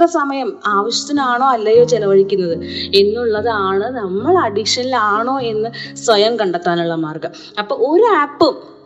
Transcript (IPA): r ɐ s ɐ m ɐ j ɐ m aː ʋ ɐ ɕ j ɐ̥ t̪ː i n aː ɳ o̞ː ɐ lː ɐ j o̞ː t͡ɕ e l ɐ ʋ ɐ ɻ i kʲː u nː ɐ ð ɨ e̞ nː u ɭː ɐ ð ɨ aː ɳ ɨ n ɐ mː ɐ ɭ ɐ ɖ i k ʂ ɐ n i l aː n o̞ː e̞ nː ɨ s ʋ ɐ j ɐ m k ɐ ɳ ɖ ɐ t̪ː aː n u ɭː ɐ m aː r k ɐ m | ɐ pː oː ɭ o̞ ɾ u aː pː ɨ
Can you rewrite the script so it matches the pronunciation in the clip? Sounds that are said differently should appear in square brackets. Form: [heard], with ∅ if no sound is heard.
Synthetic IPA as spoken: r ɐ s ɐ m ɐ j ɐ m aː ʋ ɐ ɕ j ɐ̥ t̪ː i n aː ɳ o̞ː ɐ lː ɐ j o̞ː t͡ɕ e l ɐ ʋ ɐ ɻ i kʲː u nː ɐ ð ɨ e̞ nː u ɭː ɐ ð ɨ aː ɳ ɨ n ɐ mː ɐ ɭ ɐ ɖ i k ʂ ɐ n i l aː [ɳ] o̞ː e̞ nː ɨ s ʋ ɐ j ɐ m k ɐ ɳ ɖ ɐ t̪ː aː n u ɭː ɐ m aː r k ɐ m | ɐ pː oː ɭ o̞ ɾ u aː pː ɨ